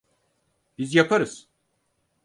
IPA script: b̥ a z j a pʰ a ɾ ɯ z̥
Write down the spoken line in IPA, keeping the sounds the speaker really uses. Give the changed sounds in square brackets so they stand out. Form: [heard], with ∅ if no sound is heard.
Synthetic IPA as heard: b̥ [i] z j a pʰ a ɾ ɯ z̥